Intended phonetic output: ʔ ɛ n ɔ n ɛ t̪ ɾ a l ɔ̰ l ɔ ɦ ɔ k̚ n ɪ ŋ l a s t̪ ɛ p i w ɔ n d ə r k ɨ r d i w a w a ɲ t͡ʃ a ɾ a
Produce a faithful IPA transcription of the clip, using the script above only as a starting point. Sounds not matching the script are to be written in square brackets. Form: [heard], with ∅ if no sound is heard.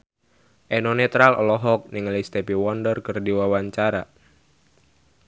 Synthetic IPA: ʔ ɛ n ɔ n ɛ t̪ ɾ a l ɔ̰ l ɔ ɦ ɔ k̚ n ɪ ŋ l [i] s t̪ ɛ p i w ɔ n d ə r k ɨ r d i w a w a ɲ t͡ʃ a ɾ a